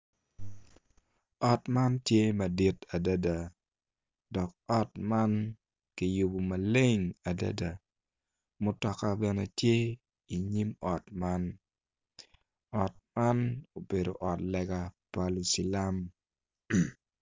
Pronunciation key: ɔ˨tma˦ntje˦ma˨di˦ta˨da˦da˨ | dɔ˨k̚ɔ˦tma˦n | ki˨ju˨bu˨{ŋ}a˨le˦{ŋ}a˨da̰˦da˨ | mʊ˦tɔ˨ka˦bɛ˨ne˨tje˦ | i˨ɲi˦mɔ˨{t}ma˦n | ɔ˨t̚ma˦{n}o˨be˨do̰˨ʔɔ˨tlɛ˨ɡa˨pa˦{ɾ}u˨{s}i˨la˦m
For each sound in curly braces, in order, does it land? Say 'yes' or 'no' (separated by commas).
no, yes, yes, yes, no, yes